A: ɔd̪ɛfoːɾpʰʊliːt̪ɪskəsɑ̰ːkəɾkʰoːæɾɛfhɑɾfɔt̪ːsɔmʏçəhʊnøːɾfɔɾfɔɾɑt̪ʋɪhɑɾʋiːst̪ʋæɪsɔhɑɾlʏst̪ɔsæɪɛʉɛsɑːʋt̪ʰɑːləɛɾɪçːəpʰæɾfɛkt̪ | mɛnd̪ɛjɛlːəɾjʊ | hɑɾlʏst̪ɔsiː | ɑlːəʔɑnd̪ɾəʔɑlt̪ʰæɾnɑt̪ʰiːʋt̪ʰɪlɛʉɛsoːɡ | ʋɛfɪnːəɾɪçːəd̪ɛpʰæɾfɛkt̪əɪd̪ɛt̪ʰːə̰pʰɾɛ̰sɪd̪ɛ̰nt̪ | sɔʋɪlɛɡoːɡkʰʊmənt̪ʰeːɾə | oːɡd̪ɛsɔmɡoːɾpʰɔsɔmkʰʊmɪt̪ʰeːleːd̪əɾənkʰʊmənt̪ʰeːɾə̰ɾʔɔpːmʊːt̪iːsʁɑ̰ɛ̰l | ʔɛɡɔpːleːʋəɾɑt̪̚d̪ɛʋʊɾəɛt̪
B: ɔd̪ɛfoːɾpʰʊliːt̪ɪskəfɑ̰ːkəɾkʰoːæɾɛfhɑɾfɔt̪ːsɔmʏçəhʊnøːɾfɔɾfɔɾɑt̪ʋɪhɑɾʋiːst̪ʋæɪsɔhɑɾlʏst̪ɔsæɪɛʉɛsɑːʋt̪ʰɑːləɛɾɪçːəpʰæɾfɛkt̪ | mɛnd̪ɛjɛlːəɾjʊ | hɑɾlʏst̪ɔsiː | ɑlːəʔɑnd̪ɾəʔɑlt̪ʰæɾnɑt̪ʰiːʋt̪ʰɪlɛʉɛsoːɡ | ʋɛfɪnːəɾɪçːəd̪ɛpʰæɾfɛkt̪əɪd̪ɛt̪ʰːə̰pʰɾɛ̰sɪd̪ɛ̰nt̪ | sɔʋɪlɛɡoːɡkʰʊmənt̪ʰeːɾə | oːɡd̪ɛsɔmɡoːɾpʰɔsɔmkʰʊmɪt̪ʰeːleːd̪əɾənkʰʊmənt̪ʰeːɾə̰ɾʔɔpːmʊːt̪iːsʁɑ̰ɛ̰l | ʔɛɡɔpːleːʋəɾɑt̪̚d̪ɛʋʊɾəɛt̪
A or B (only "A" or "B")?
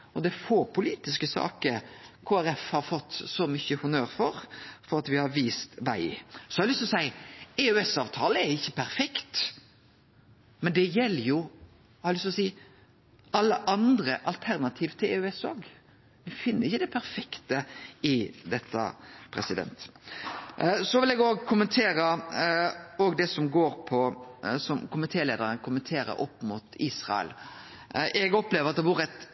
A